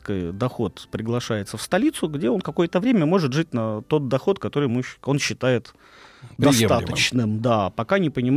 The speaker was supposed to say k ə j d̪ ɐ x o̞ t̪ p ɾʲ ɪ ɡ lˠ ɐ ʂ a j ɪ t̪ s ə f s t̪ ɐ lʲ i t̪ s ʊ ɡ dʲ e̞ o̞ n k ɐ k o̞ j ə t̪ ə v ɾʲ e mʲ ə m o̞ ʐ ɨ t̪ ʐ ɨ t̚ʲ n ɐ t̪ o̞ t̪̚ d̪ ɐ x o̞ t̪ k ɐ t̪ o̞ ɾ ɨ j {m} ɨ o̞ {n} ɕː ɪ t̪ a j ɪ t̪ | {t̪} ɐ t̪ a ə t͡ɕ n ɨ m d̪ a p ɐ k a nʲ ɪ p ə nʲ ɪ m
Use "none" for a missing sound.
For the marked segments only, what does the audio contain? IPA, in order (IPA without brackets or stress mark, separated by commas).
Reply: m, n, d̪